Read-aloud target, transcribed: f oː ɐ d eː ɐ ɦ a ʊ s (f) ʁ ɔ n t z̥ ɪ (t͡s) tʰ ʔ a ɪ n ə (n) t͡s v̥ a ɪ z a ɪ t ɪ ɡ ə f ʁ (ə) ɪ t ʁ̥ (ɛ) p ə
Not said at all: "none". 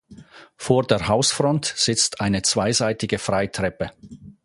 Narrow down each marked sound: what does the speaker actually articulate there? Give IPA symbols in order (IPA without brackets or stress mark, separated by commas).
f, t͡s, none, a, ɛ